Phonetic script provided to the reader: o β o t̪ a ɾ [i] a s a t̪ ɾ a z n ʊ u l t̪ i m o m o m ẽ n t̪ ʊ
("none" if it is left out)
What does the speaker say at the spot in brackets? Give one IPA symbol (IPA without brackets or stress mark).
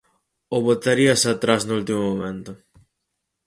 i